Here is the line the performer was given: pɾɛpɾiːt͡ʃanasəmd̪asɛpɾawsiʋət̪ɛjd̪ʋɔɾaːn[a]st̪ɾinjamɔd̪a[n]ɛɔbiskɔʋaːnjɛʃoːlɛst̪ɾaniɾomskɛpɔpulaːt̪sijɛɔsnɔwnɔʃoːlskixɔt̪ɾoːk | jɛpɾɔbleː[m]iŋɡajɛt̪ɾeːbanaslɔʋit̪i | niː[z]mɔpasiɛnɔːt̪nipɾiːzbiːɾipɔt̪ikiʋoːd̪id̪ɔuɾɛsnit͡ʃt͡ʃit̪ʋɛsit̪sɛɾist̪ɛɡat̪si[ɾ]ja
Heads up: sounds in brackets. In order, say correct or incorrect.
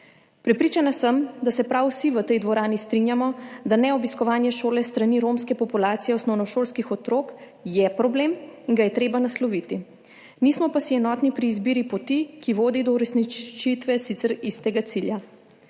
incorrect: i, correct, correct, incorrect: s, incorrect: l

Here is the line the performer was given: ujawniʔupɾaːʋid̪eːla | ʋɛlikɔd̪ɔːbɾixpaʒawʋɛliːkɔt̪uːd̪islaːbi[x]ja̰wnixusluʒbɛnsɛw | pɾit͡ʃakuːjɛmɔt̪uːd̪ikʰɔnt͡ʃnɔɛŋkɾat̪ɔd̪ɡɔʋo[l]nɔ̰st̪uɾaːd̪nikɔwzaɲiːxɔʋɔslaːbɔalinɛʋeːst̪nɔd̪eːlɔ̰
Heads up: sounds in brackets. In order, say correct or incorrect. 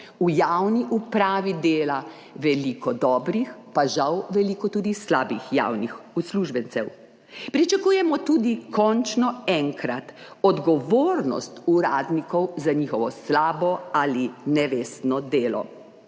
correct, incorrect: ɾ

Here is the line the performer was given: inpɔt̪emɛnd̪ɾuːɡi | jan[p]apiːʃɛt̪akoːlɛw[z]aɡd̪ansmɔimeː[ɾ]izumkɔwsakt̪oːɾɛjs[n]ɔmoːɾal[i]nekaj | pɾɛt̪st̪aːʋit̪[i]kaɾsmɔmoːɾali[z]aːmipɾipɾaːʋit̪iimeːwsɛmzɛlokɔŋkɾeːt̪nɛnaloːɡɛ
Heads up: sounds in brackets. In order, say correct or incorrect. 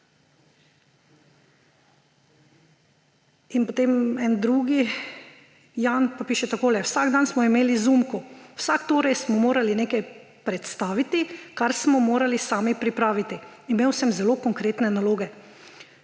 correct, incorrect: s, incorrect: l, incorrect: m, correct, correct, incorrect: s

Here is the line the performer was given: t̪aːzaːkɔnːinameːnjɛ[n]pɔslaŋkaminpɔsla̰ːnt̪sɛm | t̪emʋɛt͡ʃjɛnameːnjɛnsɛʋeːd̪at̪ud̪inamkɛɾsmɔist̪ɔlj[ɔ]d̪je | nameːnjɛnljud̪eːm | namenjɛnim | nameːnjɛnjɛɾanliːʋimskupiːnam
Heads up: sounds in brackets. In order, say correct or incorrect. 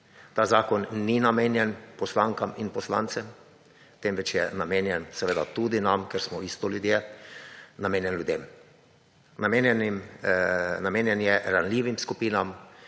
correct, incorrect: u

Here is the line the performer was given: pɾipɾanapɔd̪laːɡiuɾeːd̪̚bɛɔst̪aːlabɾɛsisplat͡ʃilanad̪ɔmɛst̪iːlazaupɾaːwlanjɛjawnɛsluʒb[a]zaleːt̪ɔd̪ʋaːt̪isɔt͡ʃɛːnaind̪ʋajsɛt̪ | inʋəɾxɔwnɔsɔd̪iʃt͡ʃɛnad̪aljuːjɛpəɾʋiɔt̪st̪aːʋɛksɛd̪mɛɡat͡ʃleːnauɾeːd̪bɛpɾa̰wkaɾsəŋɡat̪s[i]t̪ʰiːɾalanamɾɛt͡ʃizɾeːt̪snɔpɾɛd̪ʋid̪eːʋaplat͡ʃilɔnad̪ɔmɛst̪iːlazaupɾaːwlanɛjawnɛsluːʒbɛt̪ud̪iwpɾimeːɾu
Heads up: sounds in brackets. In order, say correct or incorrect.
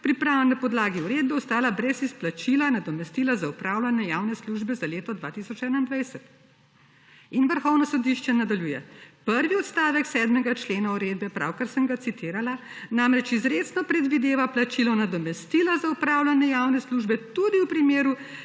incorrect: ɛ, correct

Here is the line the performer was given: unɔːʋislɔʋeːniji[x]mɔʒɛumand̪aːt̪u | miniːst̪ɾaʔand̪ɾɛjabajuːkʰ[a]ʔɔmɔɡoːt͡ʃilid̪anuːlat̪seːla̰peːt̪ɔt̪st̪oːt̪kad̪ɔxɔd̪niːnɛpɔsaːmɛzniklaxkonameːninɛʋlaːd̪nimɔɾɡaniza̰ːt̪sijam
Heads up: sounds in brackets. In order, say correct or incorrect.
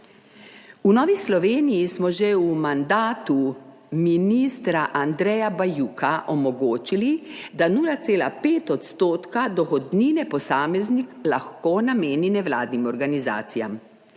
incorrect: s, correct

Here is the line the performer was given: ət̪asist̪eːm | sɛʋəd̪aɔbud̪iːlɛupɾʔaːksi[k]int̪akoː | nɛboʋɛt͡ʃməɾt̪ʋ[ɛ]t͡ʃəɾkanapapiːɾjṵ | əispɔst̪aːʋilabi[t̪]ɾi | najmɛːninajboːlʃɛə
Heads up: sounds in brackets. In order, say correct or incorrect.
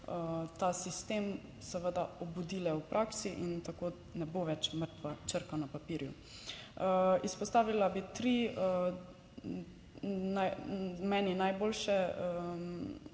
incorrect: ʔ, incorrect: a, correct

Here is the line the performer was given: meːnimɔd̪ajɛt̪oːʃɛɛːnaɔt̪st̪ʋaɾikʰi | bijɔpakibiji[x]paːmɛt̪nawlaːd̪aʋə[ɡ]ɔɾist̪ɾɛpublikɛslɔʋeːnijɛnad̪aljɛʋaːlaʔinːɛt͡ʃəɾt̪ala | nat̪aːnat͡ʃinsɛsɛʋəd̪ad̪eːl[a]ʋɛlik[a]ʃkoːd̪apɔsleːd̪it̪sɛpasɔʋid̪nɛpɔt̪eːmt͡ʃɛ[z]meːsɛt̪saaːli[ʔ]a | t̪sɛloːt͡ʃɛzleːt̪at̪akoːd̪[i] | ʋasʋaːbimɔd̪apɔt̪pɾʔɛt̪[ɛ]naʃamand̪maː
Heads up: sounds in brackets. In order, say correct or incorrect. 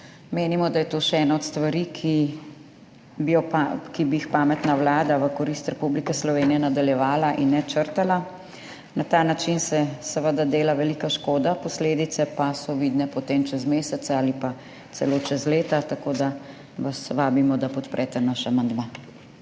correct, incorrect: k, correct, correct, correct, incorrect: p, incorrect: a, correct

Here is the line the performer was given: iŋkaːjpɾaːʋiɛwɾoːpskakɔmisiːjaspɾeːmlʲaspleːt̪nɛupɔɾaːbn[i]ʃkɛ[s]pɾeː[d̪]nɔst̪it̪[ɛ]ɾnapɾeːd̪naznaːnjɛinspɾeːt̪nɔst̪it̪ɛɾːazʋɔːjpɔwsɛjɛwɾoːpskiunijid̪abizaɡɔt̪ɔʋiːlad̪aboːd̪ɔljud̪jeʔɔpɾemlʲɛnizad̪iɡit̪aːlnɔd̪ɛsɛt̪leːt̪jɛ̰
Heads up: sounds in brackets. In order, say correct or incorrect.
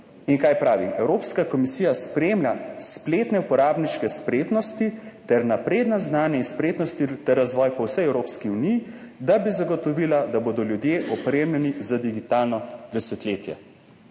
correct, correct, incorrect: t̪, correct

